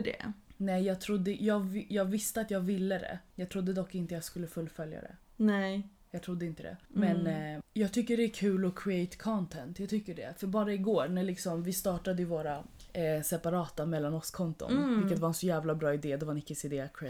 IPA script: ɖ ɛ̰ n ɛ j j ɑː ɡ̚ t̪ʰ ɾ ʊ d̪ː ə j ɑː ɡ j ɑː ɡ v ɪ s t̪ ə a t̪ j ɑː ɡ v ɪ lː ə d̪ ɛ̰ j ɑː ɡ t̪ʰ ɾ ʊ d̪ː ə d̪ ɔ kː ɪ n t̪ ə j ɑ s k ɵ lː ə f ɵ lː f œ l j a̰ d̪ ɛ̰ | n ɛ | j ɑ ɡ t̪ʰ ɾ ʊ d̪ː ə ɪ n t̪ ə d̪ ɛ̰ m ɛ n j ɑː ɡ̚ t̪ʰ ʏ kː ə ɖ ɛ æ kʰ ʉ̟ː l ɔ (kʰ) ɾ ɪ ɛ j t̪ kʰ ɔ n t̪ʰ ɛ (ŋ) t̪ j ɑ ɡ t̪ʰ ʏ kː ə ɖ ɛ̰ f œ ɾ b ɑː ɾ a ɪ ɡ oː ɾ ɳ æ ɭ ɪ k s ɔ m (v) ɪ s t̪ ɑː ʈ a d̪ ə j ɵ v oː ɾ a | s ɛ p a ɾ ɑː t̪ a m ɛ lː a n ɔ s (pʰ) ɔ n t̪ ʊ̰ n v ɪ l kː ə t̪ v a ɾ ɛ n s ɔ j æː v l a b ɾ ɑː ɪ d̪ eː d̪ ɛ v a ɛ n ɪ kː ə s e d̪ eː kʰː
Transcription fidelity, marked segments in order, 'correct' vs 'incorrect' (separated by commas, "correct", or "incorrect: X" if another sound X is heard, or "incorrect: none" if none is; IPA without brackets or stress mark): correct, incorrect: n, correct, incorrect: kʰ